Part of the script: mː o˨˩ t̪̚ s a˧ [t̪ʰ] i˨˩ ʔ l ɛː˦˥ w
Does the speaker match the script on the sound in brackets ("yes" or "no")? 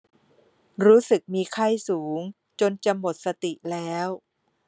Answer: no